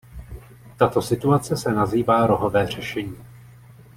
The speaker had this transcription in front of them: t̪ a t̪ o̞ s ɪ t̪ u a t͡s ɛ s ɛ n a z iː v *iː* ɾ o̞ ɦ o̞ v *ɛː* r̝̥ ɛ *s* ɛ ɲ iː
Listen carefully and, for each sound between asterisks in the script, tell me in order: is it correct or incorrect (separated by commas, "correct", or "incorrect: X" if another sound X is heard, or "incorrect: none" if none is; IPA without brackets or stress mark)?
incorrect: aː, correct, incorrect: ʃ